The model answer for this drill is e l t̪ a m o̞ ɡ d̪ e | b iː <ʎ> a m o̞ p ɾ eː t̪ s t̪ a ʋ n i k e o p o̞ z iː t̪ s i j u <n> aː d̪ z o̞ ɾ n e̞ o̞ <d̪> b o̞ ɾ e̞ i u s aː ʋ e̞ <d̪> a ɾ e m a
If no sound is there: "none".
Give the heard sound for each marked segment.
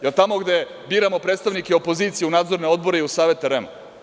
ɾ, n, d̪, t̪

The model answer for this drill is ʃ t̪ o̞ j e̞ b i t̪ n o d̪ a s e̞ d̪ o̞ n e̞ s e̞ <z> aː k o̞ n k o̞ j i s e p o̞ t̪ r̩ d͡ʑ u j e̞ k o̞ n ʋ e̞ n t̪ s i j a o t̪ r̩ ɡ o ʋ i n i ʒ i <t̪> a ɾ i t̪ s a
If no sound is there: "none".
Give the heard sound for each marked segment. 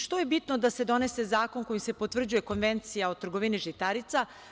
z, t̪

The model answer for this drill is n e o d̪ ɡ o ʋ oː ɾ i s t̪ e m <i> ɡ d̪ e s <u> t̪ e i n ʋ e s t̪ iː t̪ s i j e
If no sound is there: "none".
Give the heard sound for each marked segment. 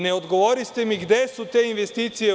i, u

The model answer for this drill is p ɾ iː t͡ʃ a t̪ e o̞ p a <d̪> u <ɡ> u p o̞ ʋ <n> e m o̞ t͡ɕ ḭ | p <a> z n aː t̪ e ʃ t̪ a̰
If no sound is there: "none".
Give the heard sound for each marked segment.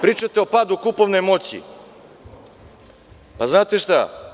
d̪, k, n, a

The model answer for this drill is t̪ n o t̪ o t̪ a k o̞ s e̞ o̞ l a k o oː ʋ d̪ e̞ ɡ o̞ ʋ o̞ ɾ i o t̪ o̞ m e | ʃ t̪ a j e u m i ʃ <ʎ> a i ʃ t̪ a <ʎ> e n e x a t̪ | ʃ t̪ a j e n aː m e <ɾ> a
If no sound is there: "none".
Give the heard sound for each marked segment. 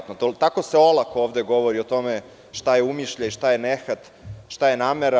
ʎ, j, ɾ

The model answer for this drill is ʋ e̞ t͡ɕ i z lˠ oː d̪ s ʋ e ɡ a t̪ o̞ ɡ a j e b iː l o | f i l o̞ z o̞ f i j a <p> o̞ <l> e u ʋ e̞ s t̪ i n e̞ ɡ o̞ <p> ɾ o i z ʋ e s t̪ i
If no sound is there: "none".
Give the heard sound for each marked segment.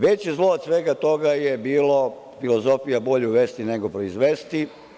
b, ʎ, p

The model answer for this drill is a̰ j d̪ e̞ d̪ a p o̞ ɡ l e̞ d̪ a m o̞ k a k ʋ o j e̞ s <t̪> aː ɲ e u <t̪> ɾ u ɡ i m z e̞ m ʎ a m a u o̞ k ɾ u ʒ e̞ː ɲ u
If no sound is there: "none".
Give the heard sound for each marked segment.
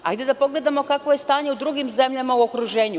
t̪, d̪

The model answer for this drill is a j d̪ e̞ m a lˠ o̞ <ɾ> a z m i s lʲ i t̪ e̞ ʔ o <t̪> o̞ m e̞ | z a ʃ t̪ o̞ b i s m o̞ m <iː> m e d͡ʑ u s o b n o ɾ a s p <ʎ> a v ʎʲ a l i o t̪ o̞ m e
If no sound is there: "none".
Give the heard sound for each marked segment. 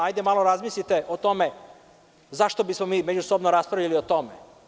ɾ, t̪, iː, ɾ

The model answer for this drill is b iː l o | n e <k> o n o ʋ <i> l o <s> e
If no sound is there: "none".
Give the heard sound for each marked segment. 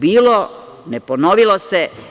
p, i, s

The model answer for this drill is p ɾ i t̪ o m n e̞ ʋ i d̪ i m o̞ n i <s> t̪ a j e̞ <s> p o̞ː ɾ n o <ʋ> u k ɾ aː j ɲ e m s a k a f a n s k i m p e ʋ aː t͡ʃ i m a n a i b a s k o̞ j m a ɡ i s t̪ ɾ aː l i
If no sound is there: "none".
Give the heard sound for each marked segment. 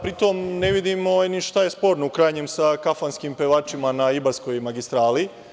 ʃ, s, none

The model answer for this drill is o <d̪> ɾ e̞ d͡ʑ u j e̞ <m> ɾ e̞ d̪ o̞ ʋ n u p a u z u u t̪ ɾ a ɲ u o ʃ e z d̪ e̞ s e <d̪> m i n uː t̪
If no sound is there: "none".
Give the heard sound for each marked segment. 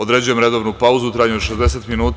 d̪, m, t̪

